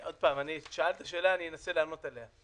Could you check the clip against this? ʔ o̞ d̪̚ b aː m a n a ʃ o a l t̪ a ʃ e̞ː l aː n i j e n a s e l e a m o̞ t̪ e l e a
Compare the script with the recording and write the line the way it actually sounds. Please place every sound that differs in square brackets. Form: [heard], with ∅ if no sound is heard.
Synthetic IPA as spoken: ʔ o̞ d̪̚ [p] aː m a n [i] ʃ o a l t̪ a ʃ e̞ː l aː n i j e n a s e l e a m o̞ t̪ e l e a